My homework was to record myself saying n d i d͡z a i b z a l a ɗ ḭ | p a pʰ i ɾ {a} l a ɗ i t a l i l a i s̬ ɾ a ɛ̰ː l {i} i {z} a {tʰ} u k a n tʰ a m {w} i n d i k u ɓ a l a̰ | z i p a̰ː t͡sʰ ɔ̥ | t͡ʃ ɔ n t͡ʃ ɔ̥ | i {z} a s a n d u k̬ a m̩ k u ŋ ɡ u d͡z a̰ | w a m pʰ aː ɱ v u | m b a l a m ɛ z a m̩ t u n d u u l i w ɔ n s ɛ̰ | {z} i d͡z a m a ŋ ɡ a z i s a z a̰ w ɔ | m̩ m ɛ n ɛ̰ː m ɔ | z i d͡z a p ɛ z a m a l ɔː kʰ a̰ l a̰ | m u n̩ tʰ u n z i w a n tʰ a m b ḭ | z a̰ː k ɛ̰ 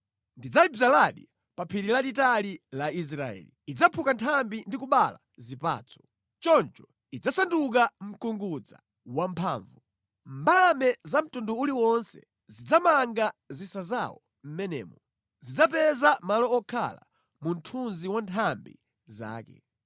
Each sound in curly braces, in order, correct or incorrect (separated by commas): incorrect, correct, incorrect, incorrect, incorrect, incorrect, correct